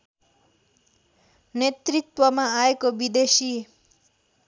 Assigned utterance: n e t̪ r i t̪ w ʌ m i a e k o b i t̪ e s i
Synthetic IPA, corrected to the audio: n e t̪ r i t̪ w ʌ m a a e k o b i d̪ e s i

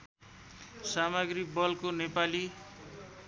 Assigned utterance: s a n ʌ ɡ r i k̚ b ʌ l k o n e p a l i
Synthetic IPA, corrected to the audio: s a m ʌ ɡ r i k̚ b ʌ l k o n e p a l i

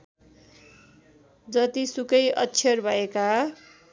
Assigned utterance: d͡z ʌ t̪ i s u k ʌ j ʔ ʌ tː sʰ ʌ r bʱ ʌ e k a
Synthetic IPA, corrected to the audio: d͡z ʌ t̪ i s u k ʌ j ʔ ʌ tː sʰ ʌ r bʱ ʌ e k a

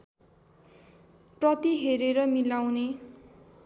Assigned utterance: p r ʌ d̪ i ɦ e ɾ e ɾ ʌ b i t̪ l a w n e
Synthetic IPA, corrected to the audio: p r ʌ t̪ i ɦ e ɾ e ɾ ʌ m i l a w n e

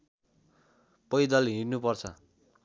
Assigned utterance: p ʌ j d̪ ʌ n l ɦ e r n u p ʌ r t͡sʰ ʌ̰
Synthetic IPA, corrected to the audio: p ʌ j d̪ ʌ l ɦ i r n u p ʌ r t͡sʰ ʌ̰

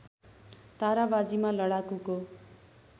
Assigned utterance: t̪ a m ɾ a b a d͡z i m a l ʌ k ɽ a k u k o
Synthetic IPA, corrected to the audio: t̪ a ɾ a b a d͡z i m a l ʌ ɽ a k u k o

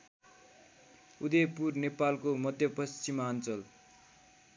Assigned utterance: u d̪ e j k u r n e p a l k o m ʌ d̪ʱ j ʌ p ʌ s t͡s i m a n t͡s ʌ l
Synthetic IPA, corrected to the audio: u d̪ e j p u r n e p a l k o m ʌ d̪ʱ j ʌ p ʌ s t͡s i m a n t͡s ʌ l

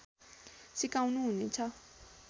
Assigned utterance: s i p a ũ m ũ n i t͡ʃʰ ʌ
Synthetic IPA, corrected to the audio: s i k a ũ n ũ n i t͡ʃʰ a

